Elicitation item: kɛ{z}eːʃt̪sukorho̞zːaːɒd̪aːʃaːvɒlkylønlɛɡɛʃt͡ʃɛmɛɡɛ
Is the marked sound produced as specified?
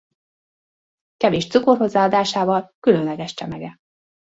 no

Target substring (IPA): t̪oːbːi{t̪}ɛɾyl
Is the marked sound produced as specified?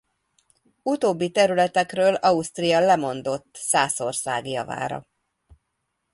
yes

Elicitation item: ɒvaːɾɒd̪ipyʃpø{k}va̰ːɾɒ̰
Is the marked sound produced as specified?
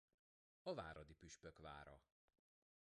yes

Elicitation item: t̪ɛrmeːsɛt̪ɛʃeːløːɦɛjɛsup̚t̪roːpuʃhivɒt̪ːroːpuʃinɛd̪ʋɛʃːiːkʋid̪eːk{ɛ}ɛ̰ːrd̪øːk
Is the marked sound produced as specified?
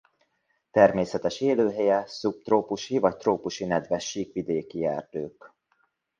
no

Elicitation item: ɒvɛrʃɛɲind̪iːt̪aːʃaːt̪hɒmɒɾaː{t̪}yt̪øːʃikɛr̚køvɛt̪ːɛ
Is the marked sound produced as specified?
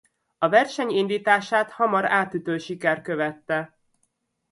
yes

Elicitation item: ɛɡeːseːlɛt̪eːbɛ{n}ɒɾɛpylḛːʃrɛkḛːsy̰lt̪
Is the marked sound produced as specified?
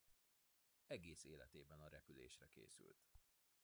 yes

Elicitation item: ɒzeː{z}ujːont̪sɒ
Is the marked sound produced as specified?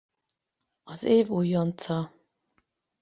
no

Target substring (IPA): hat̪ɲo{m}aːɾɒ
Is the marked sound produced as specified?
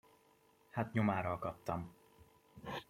yes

